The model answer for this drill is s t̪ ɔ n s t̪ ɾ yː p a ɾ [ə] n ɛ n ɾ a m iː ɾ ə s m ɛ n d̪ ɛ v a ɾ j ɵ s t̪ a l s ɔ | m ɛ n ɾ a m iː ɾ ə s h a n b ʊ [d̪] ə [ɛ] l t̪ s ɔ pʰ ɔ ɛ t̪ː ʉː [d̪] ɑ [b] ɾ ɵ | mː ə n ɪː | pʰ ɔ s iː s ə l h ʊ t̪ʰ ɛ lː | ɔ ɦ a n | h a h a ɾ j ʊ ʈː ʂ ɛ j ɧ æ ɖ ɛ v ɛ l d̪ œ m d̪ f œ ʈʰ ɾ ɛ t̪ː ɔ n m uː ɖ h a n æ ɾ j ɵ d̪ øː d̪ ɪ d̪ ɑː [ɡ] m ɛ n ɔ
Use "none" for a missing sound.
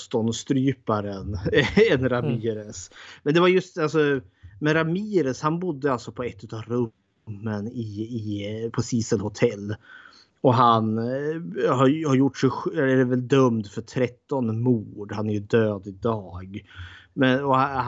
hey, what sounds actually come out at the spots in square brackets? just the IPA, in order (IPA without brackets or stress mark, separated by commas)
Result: ə, d̪ː, a, t̪, v, ɡ